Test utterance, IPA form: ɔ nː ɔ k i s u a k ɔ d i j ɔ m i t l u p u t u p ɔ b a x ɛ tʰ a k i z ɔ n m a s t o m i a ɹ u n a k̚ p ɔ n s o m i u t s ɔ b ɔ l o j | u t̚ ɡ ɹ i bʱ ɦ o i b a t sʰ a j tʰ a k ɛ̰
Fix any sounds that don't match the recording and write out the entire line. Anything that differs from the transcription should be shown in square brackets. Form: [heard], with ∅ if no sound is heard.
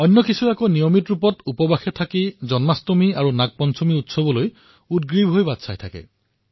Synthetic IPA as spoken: ɔ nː ɔ k i s u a k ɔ [n] i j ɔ m i t [ɹ] u p [ɔ] t u p ɔ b a x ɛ tʰ a k i z ɔ n m a s t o m i a ɹ u n a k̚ p ɔ n s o m i u t s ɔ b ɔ l o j | u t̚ ɡ ɹ i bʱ ɦ o [j] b a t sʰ a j tʰ a k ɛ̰